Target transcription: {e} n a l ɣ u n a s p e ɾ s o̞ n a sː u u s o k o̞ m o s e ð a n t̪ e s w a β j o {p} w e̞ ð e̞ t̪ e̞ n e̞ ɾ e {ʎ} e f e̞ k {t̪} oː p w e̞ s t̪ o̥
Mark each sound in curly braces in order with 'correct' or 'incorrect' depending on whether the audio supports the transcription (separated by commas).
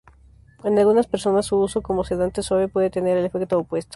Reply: correct, correct, incorrect, correct